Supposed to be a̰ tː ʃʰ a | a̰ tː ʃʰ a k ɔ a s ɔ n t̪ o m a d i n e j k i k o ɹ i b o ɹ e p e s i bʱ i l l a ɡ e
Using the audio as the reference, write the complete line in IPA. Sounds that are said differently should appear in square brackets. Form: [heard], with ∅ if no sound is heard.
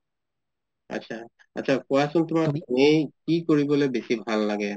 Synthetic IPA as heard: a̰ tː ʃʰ a | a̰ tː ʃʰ a k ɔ a s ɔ n t̪ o m a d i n e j k i k o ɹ i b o [l] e [b] e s i bʱ [a] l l a ɡ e